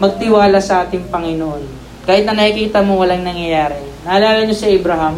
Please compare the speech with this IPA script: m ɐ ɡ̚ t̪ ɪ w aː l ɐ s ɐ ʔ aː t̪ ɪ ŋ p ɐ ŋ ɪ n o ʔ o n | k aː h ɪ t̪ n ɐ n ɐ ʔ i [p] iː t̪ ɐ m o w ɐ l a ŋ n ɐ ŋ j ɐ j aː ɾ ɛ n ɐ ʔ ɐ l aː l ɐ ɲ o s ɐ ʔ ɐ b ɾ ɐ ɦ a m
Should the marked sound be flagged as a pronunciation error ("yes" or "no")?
yes